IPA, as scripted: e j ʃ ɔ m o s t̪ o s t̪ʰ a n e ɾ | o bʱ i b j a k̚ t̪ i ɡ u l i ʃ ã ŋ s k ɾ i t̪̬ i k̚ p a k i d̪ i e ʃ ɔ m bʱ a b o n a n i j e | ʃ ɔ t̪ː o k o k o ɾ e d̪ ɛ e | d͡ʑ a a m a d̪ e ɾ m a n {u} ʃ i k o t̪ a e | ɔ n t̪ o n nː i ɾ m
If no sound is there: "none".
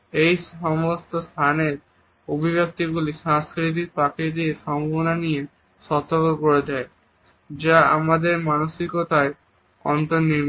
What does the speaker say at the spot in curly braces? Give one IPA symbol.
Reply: o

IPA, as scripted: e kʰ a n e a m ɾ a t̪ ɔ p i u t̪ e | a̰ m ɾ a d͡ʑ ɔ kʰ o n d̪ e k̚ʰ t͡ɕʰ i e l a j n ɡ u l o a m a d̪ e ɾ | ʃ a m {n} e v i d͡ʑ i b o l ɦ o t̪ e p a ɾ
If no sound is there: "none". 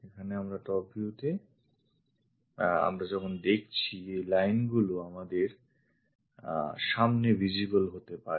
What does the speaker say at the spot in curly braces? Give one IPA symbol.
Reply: n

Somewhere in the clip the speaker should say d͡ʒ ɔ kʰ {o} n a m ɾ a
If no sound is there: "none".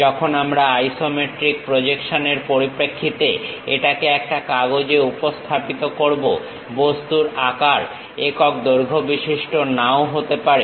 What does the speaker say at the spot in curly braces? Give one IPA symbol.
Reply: o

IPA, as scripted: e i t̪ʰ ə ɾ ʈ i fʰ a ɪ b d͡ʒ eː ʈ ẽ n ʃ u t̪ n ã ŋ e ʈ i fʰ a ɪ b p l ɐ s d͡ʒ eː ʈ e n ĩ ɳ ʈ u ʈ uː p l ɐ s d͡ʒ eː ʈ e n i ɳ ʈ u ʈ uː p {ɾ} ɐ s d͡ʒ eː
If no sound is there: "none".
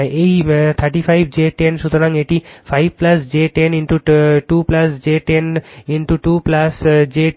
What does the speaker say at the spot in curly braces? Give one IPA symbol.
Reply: l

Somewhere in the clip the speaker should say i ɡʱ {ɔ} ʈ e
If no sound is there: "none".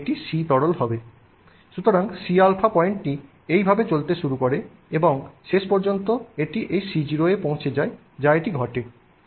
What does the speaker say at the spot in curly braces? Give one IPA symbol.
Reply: ɔ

